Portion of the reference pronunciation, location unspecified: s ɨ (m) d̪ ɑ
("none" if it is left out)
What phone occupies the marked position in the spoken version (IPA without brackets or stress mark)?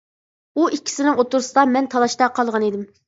none